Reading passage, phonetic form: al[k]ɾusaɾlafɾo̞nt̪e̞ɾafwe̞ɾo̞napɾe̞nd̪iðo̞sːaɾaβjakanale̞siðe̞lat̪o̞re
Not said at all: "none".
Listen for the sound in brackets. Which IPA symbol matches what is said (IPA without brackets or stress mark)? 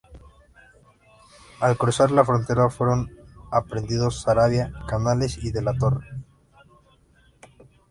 k